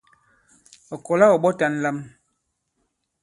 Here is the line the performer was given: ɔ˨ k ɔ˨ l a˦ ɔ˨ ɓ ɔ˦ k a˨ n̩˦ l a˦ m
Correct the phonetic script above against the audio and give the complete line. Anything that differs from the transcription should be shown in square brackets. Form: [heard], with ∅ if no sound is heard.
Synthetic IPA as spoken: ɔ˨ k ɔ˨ l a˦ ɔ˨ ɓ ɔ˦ [t] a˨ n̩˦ l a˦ m